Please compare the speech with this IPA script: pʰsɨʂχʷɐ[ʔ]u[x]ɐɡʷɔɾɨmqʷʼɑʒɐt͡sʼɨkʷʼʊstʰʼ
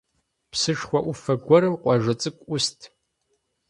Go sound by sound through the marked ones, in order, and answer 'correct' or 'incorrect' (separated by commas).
correct, incorrect